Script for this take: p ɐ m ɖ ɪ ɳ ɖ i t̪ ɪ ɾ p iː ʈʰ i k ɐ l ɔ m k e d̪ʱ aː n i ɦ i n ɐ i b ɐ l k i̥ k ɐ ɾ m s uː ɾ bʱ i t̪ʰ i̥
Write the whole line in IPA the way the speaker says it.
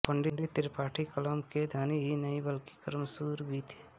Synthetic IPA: p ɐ ɳ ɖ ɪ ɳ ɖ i t̪ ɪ ɾ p aː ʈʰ i k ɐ l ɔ m k e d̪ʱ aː n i ɦ i n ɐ i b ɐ l k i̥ k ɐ ɾ m s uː ɾ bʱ i t̪ʰ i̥